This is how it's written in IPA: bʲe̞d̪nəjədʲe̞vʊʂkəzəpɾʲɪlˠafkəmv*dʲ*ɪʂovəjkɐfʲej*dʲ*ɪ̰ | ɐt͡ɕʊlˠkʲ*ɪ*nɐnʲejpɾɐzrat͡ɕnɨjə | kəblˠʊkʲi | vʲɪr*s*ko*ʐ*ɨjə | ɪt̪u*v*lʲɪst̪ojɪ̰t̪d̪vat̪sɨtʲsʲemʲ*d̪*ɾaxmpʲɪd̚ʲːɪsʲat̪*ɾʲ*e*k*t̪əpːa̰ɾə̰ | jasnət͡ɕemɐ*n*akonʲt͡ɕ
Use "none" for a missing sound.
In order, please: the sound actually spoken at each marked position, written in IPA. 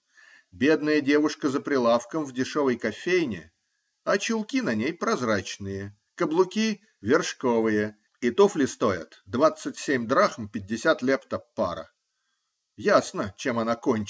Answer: dʲ, nʲ, i, ʂ, v, f, d̪, lʲ, p, n

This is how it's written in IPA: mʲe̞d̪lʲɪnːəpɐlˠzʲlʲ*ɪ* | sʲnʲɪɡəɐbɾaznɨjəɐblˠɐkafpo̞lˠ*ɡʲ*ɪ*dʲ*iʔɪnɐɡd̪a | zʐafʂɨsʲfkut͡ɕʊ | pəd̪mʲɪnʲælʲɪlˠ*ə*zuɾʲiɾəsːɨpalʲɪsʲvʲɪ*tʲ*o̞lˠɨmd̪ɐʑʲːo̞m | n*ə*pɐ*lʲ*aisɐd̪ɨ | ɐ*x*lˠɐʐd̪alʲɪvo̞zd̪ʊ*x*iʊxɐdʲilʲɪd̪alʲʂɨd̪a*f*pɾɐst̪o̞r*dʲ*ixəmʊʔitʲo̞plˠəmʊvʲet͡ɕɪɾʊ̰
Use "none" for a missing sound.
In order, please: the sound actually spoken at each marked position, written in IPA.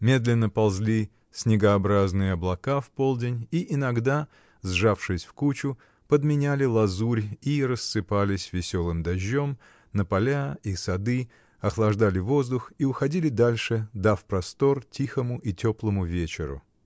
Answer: i, dʲ, nʲ, ɐ, sʲ, ə, lʲ, x, x, f, tʲ

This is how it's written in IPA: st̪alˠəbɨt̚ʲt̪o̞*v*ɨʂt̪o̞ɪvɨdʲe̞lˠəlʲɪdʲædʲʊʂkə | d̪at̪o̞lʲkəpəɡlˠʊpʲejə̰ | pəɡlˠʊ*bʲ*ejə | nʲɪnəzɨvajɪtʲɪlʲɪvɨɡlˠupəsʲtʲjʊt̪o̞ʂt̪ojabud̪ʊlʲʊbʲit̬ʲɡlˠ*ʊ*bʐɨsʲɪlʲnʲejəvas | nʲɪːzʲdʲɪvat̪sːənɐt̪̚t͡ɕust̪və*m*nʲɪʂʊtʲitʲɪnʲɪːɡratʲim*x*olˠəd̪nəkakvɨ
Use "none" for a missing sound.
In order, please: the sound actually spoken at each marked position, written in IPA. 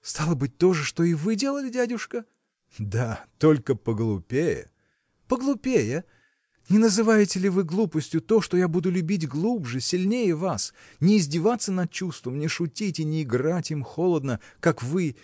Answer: ʐ, pʲ, u, m, x

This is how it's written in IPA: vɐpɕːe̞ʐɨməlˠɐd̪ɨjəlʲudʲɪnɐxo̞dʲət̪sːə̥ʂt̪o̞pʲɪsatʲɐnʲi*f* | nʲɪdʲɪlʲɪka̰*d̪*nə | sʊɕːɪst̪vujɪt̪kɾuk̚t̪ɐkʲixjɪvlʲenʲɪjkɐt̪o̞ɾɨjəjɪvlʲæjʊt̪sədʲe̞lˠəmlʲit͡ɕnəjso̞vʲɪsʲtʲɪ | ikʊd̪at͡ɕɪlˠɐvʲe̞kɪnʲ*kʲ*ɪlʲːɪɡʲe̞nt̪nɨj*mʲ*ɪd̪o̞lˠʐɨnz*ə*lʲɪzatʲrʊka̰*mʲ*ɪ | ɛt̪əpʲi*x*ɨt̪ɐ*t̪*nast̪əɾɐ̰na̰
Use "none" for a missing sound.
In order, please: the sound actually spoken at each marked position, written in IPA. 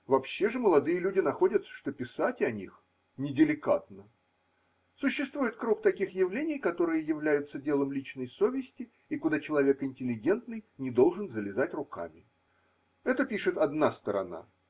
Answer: x, t̪, tʲ, nʲ, ə, mʲ, ʂ, d̪

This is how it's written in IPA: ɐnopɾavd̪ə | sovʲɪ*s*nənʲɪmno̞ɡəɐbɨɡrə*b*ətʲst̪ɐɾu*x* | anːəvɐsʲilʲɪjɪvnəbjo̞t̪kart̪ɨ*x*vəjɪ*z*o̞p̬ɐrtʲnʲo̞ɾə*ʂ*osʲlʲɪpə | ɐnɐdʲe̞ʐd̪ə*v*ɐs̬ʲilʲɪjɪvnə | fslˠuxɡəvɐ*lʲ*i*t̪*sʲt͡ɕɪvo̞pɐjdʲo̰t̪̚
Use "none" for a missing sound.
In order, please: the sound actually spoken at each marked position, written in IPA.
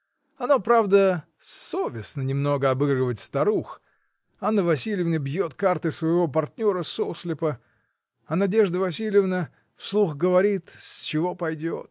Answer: s, v, x, s, v, s, v, ɾʲ, t̪

